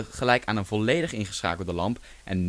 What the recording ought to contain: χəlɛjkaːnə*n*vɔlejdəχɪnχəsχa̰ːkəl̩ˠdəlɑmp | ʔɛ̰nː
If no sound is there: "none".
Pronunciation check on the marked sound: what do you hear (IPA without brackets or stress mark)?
n